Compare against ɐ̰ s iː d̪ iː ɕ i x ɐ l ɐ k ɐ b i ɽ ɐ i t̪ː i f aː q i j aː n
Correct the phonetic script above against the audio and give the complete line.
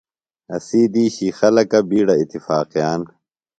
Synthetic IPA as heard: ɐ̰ s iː d̪ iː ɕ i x ɐ l ɐ k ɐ b iː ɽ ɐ i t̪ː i f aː q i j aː n